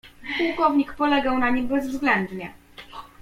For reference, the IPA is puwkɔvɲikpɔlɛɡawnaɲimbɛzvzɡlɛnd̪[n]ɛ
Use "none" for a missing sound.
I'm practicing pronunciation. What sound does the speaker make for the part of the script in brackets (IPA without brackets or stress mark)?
ɲ